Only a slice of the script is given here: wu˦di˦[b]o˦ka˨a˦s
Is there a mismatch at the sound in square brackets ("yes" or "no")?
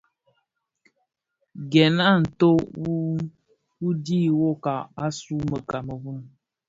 yes